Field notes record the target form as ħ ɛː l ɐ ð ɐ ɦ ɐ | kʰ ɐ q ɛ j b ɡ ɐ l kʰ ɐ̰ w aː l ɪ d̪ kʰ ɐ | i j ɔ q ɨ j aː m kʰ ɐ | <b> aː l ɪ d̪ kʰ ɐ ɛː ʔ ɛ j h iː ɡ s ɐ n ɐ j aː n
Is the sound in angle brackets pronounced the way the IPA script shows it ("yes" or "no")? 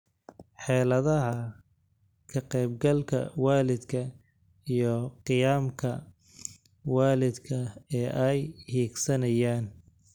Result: no